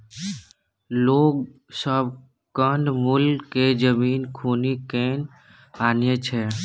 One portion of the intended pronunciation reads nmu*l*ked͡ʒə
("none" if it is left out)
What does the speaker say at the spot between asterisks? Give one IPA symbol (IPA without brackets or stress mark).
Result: l